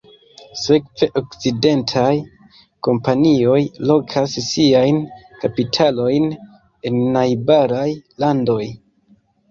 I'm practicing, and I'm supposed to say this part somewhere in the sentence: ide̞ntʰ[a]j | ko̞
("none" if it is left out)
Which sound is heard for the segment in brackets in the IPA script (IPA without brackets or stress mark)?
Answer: a